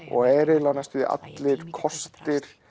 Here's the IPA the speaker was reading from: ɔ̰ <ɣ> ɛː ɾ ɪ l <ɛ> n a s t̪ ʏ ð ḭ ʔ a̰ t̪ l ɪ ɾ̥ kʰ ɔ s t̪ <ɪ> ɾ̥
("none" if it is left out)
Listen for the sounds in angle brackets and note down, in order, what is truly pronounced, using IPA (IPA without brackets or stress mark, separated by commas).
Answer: ɣ, a, ɪ